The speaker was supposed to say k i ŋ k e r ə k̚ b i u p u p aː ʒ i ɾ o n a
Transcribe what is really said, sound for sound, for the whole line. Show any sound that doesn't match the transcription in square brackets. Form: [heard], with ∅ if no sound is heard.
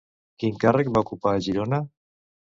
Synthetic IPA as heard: k i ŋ k [a] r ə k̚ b [a] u [k] u p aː ʒ i ɾ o n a

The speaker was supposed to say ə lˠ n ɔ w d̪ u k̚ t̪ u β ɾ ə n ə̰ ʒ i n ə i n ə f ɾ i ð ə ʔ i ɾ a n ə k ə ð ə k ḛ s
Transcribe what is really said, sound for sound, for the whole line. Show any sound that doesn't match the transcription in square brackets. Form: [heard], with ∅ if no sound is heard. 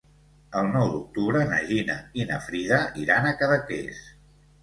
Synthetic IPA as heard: ə lˠ n ɔ w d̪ u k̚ t̪ u β ɾ ə n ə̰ ʒ i n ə i n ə f ɾ i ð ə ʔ i ɾ a n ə k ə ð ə k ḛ s

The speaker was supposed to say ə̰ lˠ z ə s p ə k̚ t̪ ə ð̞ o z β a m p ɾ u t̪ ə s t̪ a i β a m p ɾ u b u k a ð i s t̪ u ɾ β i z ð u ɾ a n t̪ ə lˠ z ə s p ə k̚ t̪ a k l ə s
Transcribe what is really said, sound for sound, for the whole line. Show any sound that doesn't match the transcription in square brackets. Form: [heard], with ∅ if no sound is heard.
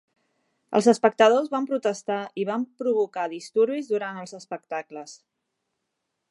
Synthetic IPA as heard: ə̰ lˠ z ə s p ə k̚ t̪ ə ð̞ o z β a m p ɾ u t̪ ə s t̪ a i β a m p ɾ u [β] u k a ð i s t̪ u ɾ β i z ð u ɾ a n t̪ ə lˠ z ə s p ə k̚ t̪ a k l ə s

